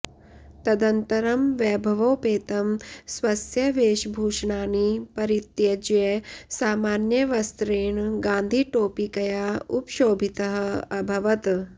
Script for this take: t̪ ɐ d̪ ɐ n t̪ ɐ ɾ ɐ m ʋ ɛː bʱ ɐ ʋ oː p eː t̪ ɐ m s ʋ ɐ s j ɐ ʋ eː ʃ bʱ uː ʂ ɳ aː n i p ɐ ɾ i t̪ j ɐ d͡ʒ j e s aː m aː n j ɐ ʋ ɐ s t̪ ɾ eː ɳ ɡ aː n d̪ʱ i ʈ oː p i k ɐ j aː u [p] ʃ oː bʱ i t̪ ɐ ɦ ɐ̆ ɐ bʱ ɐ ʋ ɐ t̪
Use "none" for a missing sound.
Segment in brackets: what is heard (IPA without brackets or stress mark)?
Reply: p